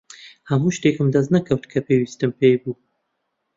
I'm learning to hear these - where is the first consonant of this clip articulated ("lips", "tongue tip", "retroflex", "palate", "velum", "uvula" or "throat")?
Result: throat